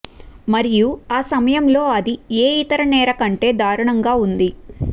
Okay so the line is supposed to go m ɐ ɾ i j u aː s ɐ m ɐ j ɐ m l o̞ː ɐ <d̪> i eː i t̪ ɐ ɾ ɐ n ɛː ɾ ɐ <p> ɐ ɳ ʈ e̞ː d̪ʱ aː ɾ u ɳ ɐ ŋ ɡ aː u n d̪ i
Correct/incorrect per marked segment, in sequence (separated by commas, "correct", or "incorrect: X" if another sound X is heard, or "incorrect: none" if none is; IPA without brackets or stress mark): correct, incorrect: k